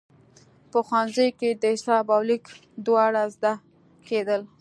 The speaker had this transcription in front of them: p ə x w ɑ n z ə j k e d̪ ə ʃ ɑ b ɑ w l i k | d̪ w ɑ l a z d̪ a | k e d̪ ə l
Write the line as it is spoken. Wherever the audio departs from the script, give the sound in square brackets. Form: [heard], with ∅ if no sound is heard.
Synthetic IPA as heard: p ə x w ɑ n z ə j k e d̪ ə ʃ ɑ b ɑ w l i k | d̪ w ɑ [ɽ] a z d̪ a | k e d̪ ə l